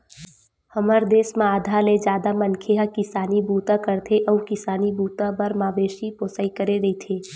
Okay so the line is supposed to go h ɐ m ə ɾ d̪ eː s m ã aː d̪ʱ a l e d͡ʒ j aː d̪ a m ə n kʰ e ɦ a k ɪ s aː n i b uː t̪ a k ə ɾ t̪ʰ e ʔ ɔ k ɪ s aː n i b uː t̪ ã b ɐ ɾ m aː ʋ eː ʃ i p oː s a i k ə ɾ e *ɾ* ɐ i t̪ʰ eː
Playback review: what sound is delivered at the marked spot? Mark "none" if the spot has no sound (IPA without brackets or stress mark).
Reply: ɾ